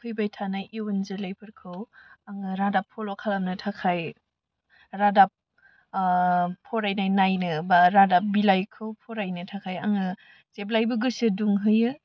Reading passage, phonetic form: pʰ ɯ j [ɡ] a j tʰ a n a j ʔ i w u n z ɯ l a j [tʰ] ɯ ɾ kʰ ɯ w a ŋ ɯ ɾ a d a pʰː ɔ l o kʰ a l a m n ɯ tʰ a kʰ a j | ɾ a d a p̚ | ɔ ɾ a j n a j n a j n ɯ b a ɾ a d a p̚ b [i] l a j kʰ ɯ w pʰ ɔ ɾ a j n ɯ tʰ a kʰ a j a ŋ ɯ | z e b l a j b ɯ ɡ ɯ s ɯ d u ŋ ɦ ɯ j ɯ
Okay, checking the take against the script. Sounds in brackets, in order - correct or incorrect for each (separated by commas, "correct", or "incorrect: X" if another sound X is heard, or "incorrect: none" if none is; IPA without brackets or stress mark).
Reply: incorrect: b, incorrect: pʰ, correct